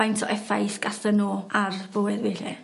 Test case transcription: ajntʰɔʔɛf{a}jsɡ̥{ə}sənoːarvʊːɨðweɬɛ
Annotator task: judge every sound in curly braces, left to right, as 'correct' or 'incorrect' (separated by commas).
correct, incorrect